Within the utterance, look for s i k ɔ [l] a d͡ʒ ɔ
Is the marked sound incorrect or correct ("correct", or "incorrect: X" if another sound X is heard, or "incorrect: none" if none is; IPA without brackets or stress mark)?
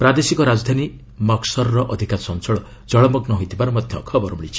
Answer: incorrect: ɾ